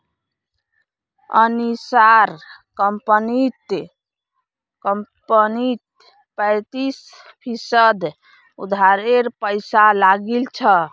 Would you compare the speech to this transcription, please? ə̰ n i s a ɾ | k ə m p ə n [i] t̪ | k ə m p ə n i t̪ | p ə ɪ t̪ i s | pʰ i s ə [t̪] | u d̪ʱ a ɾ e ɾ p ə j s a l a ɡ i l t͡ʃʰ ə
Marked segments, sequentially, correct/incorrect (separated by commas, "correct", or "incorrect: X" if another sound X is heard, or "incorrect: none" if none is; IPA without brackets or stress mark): correct, incorrect: d̪